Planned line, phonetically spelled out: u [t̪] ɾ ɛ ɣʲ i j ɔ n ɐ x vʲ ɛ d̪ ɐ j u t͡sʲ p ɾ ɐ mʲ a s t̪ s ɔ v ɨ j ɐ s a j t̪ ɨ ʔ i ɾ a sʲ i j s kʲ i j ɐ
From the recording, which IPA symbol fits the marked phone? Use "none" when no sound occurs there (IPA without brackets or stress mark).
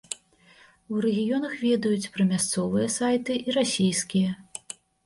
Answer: none